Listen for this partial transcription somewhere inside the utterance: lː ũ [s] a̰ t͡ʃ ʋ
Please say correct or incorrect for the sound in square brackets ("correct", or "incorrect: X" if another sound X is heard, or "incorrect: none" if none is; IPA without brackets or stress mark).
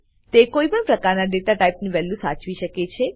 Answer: correct